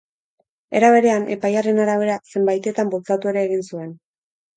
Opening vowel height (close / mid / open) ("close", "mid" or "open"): mid